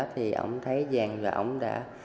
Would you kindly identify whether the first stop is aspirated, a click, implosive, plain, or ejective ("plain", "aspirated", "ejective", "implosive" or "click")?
aspirated